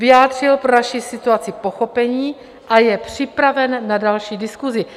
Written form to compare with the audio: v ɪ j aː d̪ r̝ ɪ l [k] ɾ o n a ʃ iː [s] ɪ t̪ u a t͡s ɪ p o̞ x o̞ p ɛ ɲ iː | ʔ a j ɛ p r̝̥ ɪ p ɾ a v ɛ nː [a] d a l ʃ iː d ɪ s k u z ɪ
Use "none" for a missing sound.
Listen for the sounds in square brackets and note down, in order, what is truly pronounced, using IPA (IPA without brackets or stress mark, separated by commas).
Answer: p, s, a